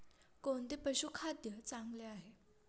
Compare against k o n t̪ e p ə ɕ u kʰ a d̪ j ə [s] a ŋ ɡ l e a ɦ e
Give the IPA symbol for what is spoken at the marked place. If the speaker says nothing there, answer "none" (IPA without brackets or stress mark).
t͡s